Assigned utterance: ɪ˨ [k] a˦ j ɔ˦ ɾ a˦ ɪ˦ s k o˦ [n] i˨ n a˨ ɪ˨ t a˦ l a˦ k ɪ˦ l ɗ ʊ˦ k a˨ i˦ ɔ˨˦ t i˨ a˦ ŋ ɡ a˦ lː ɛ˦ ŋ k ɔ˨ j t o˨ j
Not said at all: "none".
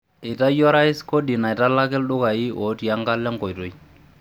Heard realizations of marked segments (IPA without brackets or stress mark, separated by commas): t, d